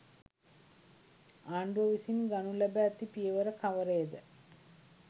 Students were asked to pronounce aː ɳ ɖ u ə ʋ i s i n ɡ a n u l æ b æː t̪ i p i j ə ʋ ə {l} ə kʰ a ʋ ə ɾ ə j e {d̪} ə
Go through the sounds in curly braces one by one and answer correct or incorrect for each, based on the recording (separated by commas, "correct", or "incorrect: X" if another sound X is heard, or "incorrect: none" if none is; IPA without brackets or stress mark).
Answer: incorrect: ɾ, correct